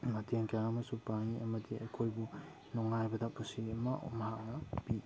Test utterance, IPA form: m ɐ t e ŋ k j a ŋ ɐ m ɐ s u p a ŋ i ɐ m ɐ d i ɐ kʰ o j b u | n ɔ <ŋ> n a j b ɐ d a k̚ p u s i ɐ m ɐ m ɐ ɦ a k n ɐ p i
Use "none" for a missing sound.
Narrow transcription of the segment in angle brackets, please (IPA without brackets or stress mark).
ŋ